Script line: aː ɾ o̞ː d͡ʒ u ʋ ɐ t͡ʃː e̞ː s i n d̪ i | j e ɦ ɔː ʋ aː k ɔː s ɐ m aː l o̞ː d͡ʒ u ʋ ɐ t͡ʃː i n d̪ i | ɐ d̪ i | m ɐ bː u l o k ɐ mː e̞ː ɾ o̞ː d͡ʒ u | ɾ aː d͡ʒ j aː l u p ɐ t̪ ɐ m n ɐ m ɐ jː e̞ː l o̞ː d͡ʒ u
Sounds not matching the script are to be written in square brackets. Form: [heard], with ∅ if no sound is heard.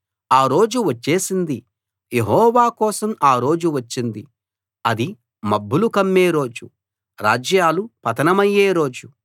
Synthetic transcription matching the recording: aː ɾ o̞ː d͡ʒ u ʋ ɐ t͡ʃː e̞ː s i n d̪ i | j e ɦ ɔː ʋ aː k ɔː s ɐ m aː [ɾ] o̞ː d͡ʒ u ʋ ɐ t͡ʃː i n d̪ i | ɐ d̪ i | m ɐ bː u l [u] k ɐ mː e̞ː ɾ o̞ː d͡ʒ u | ɾ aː d͡ʒ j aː l u p ɐ t̪ ɐ [∅] n ɐ m ɐ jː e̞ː [ɾ] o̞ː d͡ʒ u